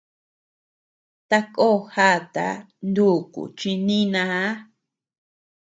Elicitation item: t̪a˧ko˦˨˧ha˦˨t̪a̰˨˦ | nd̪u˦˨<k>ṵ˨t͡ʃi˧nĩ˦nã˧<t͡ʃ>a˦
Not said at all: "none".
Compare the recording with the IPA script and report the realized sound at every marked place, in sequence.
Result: k, none

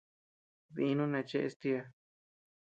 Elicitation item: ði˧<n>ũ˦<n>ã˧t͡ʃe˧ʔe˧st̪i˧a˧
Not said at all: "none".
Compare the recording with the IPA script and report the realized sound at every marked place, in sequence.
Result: n, n

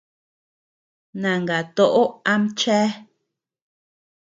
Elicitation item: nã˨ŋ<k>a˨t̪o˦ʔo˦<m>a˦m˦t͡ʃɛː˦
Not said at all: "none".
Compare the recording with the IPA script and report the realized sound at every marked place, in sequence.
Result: ɡ, none

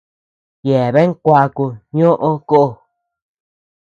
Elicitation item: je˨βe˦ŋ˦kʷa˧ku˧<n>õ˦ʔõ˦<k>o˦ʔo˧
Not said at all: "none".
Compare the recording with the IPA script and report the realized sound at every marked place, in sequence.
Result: ɲ, k

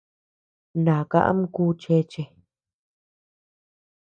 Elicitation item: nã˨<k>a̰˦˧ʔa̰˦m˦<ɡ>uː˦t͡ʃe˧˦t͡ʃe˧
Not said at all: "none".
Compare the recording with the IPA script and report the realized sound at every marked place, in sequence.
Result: k, k

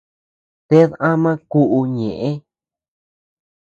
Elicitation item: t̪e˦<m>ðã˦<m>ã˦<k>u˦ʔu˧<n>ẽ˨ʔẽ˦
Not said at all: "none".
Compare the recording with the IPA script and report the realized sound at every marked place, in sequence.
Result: none, m, k, ɲ

